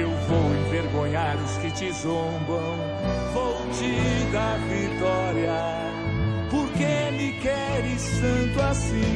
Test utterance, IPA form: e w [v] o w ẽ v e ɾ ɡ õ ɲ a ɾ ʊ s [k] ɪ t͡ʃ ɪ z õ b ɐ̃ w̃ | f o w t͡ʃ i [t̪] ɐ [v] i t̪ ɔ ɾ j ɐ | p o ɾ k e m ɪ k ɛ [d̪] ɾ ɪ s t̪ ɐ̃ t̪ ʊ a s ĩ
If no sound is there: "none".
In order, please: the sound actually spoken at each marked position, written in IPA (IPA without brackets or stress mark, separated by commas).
v, k, d̪, v, none